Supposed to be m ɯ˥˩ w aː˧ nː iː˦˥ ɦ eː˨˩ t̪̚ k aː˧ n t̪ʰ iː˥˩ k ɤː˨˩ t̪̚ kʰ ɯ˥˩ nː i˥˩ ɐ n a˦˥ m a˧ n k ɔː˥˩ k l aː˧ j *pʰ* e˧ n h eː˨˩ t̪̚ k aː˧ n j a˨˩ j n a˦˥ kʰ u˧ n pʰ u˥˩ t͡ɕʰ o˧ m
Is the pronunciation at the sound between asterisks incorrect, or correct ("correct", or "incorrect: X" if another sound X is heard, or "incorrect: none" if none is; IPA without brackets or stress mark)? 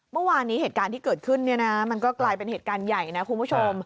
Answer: incorrect: p